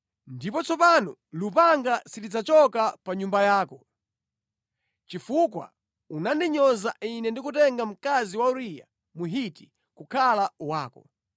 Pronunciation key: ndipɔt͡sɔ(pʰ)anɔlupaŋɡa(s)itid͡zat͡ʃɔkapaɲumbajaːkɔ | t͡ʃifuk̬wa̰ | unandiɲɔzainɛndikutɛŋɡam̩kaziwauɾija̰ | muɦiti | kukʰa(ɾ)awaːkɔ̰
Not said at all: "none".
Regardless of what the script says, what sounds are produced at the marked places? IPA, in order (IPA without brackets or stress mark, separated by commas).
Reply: p, s, l